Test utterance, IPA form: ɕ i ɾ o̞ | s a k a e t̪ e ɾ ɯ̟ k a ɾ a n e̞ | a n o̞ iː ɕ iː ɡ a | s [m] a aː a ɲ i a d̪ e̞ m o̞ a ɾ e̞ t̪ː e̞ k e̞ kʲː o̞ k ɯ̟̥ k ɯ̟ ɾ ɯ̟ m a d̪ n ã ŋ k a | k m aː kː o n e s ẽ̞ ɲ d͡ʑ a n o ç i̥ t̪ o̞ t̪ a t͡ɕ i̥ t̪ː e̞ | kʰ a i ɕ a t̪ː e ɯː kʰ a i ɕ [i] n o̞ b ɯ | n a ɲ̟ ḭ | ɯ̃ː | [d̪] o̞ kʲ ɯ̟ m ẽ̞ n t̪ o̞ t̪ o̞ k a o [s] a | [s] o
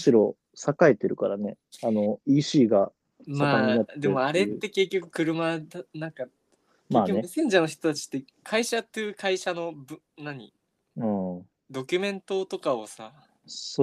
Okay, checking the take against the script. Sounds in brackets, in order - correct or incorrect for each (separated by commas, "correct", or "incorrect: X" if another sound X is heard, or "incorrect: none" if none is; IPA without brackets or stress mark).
correct, incorrect: a, correct, correct, correct